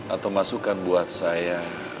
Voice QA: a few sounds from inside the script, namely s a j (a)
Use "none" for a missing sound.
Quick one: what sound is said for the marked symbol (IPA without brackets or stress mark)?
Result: a